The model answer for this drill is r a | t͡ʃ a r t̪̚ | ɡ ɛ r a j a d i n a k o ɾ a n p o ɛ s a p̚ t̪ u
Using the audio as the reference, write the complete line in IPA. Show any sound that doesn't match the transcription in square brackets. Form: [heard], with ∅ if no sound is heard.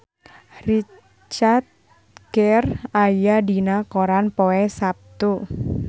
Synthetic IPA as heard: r [i] | t͡ʃ a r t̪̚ | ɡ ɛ r a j a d i n a k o ɾ a n p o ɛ s a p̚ t̪ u